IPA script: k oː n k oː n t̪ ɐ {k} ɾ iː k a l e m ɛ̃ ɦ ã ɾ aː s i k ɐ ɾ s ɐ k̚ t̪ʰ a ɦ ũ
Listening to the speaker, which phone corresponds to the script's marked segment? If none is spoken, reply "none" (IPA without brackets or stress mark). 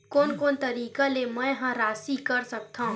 none